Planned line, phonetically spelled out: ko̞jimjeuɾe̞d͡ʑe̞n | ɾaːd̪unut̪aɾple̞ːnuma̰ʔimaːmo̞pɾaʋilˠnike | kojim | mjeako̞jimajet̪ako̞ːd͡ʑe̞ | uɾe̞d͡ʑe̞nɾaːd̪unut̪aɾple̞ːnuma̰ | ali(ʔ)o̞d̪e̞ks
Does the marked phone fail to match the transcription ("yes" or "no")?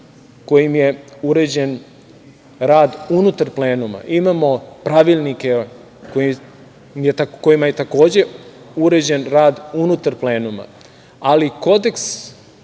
yes